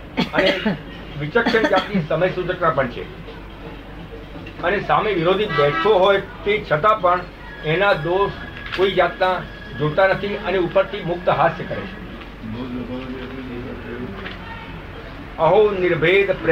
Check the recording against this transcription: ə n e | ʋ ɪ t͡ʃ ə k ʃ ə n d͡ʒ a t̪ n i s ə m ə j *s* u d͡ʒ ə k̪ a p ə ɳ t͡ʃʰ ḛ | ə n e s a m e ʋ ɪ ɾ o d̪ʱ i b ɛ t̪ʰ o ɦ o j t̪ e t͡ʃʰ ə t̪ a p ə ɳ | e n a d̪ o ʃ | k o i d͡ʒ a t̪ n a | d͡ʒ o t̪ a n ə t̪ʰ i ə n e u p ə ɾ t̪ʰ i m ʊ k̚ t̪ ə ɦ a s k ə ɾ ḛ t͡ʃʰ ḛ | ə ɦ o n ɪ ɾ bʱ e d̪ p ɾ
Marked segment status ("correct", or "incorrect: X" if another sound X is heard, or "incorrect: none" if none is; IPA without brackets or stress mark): correct